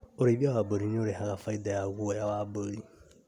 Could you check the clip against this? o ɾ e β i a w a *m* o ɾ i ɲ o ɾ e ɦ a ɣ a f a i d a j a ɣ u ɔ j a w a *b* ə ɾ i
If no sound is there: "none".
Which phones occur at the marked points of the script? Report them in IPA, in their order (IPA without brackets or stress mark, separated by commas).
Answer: b, b